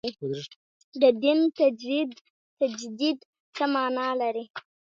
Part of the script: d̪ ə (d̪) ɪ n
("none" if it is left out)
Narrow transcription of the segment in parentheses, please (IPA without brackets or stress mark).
d̪